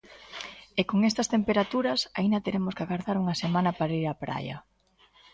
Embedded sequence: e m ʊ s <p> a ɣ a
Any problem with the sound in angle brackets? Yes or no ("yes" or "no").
yes